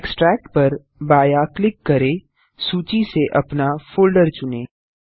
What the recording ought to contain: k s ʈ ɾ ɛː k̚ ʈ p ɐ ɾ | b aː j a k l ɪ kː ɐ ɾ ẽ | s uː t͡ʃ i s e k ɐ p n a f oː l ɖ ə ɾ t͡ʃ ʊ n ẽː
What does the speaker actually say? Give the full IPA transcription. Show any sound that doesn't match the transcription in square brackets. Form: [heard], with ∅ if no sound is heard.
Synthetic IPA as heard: k s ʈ ɾ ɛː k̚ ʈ p ɐ ɾ | b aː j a k l ɪ kː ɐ ɾ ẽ | s uː t͡ʃ i s e [ʔ] ɐ p n a f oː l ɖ ə ɾ t͡ʃ ʊ n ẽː